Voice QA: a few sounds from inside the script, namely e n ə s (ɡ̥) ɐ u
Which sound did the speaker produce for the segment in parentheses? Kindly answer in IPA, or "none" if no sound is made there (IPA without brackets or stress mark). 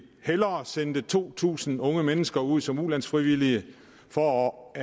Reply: ɡ̥